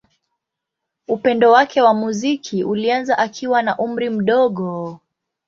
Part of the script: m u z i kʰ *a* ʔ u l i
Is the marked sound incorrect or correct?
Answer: incorrect